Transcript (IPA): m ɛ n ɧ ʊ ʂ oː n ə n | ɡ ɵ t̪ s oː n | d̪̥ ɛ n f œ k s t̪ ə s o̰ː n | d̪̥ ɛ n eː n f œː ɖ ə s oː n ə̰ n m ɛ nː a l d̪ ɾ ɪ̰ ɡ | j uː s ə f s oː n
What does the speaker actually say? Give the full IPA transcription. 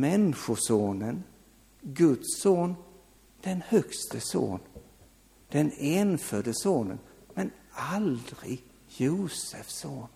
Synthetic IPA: m ɛ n ɧ ʊ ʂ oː n ə n | ɡ ɵ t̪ s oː n | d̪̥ ɛ n h œ k s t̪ ə s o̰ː n | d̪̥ ɛ n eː n f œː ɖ ə s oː n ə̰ n m ɛ n a l d̪ ɾ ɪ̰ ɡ | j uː s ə f s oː n